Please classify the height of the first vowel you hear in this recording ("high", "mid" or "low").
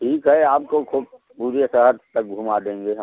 high